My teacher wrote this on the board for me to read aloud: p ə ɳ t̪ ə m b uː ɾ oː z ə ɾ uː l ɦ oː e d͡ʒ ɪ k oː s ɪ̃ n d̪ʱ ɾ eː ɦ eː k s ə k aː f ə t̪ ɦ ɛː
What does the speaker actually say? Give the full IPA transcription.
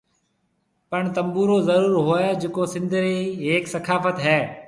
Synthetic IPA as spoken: p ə ɳ t̪ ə m b uː ɾ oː z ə ɾ uː ɾ ɦ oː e d͡ʒ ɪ k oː s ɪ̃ n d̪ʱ ɾ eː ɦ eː k s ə kʰ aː f ə t̪ ɦ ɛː